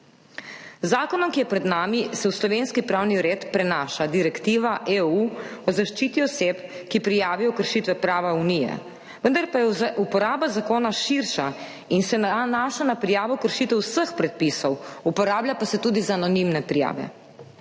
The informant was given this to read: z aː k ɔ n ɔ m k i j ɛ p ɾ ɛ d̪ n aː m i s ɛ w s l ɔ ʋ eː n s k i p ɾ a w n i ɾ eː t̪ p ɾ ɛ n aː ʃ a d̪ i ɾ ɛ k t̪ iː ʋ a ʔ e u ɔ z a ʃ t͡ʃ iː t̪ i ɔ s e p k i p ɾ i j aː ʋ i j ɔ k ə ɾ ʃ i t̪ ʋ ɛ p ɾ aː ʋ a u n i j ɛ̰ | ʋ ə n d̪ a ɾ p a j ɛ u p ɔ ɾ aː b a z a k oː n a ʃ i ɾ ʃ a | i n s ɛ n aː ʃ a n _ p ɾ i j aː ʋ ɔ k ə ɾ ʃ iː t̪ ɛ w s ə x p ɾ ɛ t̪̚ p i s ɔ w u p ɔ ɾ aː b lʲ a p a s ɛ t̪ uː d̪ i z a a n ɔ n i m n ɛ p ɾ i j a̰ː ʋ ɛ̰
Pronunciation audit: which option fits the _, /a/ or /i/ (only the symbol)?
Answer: a